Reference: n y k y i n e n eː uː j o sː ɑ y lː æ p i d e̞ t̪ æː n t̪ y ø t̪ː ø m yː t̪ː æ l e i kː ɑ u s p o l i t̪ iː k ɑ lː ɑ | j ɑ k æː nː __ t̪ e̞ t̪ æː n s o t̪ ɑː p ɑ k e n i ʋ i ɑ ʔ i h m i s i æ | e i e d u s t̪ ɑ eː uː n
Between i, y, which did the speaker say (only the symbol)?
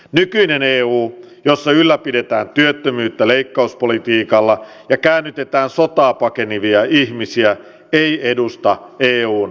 y